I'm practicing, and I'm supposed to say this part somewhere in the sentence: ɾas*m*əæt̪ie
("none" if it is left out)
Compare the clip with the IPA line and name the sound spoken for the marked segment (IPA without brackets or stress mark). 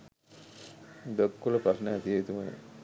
n